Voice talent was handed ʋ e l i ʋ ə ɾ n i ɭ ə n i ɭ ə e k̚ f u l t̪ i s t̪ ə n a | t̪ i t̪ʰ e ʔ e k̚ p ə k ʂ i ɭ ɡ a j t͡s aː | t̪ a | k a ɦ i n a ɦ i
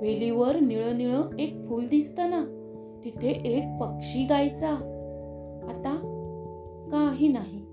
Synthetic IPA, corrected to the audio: ʋ e l i ʋ ə ɾ n i ɭ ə n i ɭ ə e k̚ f u l d̪ i s t̪ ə n a | t̪ i t̪ʰ e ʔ e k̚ p ə k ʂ i ɡ a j t͡s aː | t̪ a | k a ɦ i n a ɦ i